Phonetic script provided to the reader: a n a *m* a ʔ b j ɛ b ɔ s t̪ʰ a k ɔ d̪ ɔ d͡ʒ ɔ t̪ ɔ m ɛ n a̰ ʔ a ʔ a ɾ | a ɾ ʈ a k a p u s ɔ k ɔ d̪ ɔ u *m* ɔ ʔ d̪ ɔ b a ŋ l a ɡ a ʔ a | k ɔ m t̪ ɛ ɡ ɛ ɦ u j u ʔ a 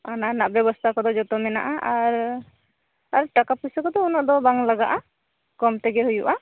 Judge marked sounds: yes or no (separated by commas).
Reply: no, no